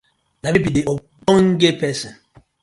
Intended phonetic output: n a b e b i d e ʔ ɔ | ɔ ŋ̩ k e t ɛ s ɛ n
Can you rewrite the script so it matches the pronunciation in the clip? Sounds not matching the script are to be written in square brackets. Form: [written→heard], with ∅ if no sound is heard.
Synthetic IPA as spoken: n a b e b i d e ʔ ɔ | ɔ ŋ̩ [k→ɡ] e [t→p] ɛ s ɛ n

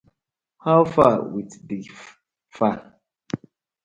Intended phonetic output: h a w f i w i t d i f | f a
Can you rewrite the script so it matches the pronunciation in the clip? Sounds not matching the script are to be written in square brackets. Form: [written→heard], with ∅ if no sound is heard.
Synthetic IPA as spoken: h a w f [i→a] w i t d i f | f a

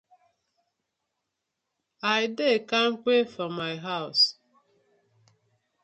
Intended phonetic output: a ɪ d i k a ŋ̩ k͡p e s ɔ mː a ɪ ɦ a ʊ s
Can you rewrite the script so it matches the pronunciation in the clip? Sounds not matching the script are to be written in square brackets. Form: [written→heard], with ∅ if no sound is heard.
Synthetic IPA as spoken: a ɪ d [i→e] k a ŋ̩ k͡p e [s→f] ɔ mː a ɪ ɦ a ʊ s

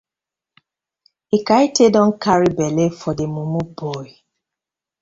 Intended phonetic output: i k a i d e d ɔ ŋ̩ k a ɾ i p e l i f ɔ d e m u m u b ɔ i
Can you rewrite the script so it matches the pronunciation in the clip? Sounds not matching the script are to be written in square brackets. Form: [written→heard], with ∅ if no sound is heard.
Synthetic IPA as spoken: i k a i [d→t] e d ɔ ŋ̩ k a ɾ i [p→b] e l [i→e] f ɔ d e m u m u b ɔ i

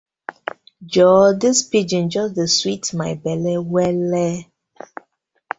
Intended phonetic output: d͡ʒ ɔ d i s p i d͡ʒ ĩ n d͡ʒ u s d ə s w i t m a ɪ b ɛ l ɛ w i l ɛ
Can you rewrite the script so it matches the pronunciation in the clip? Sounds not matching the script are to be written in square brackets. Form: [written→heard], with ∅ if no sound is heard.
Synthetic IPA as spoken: d͡ʒ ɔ d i s p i d͡ʒ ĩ n d͡ʒ [u→ɔ] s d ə s w i t m a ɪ b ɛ l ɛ w [i→ɛ] l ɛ

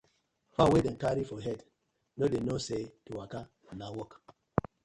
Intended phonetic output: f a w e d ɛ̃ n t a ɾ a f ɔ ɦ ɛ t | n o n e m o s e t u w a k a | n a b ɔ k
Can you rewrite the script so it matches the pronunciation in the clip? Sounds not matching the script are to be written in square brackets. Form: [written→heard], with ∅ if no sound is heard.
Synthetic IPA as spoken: f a w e d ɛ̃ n [t→k] a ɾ [a→i] f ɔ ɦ ɛ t | n o [n→d] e [m→n] o s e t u w a k a | n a [b→w] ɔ k

